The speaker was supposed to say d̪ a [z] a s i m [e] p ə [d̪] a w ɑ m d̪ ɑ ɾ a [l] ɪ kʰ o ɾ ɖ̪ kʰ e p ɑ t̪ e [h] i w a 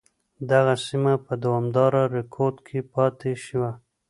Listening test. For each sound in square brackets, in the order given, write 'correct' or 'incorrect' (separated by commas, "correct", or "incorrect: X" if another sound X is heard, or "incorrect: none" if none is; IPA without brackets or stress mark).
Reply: incorrect: ɣ, incorrect: a, correct, incorrect: ɾ, incorrect: ʃ